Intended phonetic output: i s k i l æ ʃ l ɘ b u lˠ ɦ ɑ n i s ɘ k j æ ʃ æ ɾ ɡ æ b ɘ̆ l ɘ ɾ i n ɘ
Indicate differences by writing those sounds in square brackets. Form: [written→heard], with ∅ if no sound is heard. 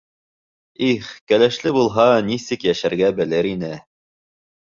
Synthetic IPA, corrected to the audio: i [s→χ] k [i→æ] l æ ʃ l ɘ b u lˠ ɦ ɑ n i s ɘ k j æ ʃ æ ɾ ɡ æ b ɘ̆ l ɘ ɾ i n ɘ